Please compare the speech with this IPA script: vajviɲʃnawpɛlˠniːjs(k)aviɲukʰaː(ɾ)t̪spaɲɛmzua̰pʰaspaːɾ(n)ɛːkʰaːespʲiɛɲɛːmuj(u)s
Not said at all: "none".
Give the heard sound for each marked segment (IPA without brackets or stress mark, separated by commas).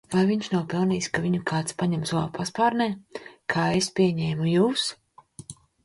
k, none, n, uː